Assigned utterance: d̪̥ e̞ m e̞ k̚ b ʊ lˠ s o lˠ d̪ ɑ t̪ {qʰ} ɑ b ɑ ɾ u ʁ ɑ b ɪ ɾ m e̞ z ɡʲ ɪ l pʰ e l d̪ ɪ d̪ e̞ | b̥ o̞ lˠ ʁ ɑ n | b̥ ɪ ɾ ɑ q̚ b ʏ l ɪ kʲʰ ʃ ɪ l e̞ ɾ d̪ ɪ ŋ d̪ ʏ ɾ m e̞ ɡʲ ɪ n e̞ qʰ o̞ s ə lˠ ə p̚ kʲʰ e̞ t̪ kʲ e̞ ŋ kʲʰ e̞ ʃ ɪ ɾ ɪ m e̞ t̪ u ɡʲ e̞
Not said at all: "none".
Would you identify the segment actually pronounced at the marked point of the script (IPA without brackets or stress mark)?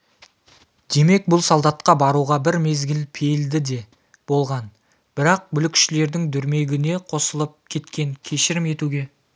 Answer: q